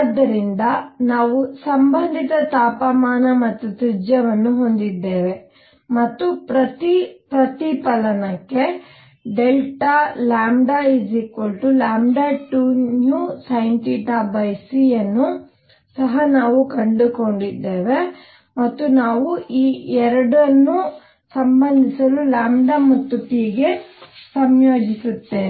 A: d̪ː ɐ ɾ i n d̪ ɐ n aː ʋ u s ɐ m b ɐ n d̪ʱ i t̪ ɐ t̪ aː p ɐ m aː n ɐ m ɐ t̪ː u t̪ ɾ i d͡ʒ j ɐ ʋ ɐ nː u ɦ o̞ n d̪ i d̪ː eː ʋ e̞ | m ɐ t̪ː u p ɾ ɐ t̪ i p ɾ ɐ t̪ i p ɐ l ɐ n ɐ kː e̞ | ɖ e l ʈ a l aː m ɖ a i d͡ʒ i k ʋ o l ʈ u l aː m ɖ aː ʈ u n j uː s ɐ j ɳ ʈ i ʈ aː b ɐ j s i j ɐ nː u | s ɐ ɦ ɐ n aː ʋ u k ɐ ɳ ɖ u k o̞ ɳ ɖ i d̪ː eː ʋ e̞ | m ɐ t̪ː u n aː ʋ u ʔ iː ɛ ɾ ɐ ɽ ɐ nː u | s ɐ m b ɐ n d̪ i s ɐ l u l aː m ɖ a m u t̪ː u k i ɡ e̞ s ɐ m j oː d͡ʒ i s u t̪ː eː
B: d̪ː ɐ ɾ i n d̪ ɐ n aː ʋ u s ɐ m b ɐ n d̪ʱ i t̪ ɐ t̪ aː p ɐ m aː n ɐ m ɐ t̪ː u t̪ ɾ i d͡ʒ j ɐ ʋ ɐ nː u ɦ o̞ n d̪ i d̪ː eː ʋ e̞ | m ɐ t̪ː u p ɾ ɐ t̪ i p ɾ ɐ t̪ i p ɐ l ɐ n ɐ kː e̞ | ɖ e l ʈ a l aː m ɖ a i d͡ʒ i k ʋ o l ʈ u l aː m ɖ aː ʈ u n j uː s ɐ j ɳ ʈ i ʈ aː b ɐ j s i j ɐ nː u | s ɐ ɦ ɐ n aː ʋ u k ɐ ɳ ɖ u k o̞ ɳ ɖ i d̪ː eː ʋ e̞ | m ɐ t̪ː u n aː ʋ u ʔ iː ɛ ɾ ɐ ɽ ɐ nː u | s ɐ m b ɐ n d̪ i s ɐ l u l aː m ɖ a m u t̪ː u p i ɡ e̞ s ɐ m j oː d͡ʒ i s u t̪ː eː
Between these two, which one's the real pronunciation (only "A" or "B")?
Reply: B